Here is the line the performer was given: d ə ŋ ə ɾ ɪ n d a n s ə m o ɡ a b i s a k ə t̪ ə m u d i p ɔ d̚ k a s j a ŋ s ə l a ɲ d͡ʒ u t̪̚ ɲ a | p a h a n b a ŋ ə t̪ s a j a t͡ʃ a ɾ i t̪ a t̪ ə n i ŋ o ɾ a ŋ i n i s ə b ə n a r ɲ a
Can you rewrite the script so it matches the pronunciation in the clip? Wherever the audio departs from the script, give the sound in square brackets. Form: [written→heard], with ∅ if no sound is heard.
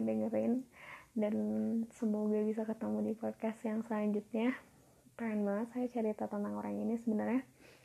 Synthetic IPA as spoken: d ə ŋ ə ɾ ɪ n d a n s ə m o ɡ a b i s a k ə t̪ ə m u d i p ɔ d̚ k a s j a ŋ s ə l a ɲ d͡ʒ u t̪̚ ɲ a | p a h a n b a ŋ ə t̪ s a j a t͡ʃ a ɾ i t̪ a t̪ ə n [i→a] ŋ o ɾ a ŋ i n i s ə b ə n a r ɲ a